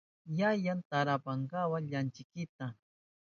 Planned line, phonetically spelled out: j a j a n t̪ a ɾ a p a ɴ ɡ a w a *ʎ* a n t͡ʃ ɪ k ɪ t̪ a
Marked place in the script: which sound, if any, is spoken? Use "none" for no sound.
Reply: ʎ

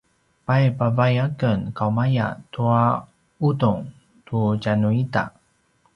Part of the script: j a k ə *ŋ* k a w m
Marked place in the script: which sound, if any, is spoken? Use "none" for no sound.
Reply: n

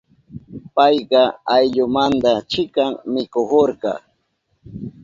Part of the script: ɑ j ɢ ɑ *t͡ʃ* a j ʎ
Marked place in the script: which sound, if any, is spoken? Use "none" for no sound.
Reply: none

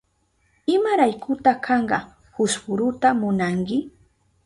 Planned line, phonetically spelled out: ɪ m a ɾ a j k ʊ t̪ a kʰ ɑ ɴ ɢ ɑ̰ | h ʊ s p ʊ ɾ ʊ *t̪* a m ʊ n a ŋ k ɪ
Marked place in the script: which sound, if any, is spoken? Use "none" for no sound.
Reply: t̪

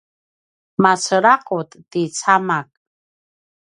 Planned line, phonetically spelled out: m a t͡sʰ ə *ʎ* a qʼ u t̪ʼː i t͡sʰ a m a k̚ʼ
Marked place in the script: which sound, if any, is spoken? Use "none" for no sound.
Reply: ɾ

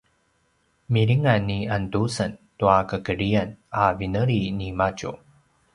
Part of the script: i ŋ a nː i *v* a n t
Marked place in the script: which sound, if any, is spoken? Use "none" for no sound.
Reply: none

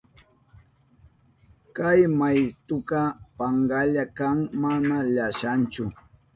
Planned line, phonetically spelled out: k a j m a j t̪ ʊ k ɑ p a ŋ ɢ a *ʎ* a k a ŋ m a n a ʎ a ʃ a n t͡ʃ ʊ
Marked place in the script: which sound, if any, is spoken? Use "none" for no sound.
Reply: ʎ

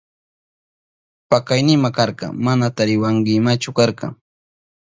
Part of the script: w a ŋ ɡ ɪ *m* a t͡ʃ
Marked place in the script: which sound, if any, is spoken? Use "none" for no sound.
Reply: m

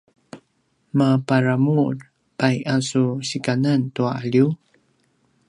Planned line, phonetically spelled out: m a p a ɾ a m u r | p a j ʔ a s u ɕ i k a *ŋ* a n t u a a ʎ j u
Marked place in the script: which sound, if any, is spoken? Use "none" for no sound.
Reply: n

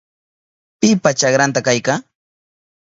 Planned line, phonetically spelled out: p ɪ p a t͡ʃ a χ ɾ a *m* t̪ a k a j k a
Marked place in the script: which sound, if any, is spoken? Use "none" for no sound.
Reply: n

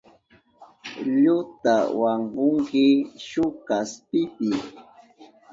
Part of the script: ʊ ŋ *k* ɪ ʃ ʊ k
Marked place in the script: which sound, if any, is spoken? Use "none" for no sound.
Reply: k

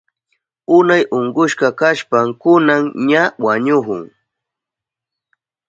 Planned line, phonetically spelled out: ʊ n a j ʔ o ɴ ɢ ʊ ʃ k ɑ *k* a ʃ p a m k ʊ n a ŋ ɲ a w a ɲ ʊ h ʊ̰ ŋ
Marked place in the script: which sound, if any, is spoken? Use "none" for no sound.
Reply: k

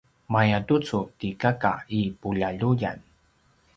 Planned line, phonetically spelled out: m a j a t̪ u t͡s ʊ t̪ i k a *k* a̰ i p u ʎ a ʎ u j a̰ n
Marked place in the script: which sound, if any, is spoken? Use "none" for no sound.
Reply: k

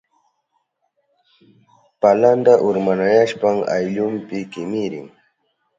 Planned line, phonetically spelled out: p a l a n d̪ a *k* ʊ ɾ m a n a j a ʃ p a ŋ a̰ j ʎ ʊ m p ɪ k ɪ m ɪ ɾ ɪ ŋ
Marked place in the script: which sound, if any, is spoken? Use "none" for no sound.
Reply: ʔ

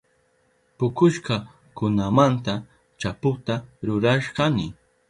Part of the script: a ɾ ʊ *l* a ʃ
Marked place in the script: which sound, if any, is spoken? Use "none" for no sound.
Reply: ɾ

